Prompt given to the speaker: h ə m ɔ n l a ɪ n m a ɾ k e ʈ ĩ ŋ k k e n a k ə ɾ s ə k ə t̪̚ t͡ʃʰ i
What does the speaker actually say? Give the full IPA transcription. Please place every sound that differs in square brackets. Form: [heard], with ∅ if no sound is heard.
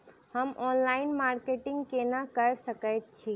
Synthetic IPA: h ə m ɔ n l a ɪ n m a ɾ k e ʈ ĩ ŋ [ɡ] k e n a k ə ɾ s ə k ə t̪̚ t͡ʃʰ i